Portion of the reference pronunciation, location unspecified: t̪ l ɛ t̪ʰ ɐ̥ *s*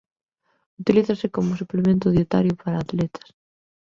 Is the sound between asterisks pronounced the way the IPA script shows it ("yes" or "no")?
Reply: yes